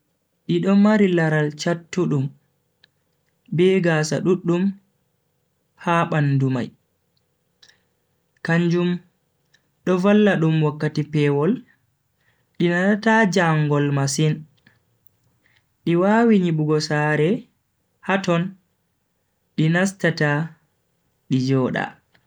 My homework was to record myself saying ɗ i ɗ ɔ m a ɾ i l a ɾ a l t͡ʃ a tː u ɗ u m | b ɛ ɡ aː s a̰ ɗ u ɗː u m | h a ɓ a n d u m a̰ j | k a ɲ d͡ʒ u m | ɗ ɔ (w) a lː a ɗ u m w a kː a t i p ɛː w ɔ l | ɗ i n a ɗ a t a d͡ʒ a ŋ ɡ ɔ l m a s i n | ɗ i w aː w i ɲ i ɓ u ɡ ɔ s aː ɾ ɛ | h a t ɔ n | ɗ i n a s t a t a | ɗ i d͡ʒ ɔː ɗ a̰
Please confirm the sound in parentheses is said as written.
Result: no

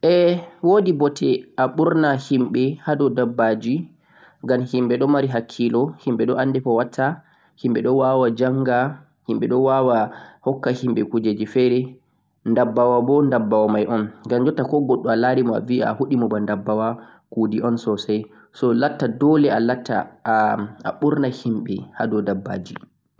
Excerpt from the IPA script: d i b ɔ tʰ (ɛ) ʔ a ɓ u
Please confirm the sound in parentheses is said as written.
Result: yes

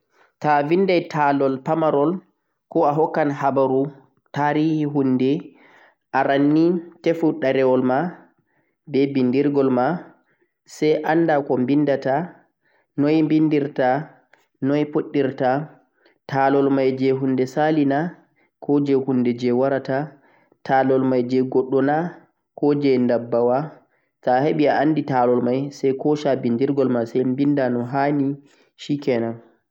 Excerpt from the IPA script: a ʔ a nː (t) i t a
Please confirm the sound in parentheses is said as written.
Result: no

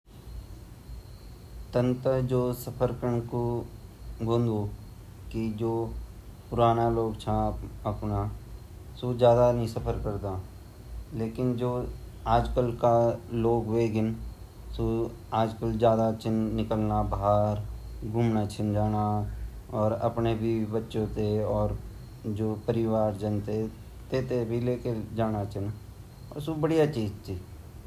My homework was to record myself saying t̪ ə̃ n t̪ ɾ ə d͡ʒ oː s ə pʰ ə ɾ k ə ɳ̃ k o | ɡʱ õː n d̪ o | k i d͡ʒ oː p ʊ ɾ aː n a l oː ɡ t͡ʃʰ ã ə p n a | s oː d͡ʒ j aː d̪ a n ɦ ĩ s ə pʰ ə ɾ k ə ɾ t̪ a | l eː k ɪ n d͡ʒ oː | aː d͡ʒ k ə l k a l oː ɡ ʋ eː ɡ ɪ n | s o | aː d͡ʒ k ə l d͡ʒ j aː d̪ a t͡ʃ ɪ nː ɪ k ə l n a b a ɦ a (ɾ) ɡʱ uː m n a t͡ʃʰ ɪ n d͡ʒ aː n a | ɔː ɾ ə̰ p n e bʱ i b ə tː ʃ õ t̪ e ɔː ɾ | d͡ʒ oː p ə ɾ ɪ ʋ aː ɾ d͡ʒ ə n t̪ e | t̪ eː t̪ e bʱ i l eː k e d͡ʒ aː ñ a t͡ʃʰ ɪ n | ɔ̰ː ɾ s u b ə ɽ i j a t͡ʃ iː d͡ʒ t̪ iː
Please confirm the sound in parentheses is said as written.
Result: yes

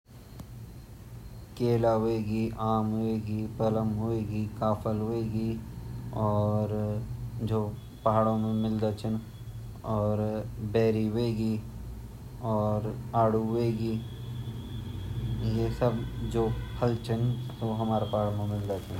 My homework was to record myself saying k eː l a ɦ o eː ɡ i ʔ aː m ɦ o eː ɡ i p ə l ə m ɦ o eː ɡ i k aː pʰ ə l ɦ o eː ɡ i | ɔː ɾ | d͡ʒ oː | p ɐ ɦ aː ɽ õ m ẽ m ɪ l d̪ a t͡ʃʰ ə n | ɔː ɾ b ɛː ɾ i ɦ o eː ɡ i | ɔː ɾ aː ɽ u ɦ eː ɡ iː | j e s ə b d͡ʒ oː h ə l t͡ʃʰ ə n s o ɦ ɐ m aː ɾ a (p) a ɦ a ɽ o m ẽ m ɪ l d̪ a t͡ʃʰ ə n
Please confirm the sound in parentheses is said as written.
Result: yes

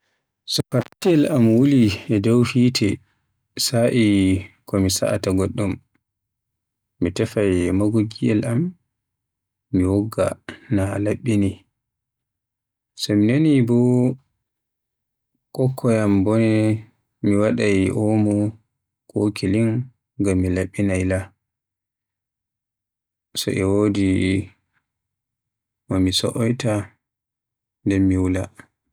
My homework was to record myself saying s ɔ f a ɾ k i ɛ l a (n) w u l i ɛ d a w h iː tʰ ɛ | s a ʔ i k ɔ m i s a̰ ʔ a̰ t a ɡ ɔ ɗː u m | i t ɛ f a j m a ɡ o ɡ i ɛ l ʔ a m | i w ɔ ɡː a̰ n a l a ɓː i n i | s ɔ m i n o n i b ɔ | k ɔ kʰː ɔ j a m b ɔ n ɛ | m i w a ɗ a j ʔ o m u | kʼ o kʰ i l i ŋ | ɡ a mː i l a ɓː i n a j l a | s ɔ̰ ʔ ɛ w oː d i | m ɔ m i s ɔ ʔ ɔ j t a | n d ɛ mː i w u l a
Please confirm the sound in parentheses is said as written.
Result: no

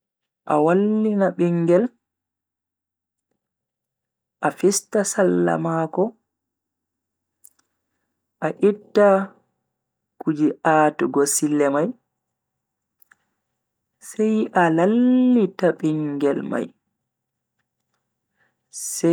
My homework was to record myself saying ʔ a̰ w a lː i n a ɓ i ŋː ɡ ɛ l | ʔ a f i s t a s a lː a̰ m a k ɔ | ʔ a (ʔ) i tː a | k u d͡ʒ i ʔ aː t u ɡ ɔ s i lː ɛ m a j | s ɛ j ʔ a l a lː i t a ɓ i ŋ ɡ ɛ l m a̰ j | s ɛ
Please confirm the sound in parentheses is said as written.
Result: yes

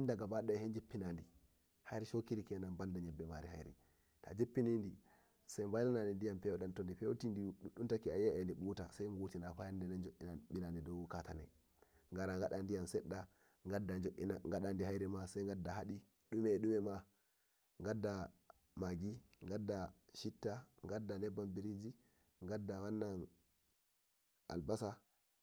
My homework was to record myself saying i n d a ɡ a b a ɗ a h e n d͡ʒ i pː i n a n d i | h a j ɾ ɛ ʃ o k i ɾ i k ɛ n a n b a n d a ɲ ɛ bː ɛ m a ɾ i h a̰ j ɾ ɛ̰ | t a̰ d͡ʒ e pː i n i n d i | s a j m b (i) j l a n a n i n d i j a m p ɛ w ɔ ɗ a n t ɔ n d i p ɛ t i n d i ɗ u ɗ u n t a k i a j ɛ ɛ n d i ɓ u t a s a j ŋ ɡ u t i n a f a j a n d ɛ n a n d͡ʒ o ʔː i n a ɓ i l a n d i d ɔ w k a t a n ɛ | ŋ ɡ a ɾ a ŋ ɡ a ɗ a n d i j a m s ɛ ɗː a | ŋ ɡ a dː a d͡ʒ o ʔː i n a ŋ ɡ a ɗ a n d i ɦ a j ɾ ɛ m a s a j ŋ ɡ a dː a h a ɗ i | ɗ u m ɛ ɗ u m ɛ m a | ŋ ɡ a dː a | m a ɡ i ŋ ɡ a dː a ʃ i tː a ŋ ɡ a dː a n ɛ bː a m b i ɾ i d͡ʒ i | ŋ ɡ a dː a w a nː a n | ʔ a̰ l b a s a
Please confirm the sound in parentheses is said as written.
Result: no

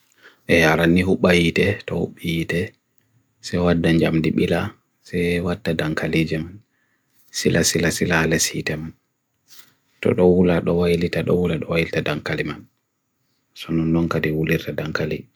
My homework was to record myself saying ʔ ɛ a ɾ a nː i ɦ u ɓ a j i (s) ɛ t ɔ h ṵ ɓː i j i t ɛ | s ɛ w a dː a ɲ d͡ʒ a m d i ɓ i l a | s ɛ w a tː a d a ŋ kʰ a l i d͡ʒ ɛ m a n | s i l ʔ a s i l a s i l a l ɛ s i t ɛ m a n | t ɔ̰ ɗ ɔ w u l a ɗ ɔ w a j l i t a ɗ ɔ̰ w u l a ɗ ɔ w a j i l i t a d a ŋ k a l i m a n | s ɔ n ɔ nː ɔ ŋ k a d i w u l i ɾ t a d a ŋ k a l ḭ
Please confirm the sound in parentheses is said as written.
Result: no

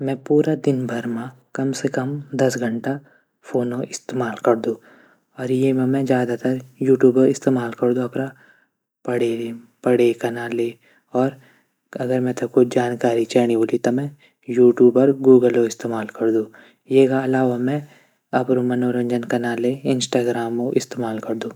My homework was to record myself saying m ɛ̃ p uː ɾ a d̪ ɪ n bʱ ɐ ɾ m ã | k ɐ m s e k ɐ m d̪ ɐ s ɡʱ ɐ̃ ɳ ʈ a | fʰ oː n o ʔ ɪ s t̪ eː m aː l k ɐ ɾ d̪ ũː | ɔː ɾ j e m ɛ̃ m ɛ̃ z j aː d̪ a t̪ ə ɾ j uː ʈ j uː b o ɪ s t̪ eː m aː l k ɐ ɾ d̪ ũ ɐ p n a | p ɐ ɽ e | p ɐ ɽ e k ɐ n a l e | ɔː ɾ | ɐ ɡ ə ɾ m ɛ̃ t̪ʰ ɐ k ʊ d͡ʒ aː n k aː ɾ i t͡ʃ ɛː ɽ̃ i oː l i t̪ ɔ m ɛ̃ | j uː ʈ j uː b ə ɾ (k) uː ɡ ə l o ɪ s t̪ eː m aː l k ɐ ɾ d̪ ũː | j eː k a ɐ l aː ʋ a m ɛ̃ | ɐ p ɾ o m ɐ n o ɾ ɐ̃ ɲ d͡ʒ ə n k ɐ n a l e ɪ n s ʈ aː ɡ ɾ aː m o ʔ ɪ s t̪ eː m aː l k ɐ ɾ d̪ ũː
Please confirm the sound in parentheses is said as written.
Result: no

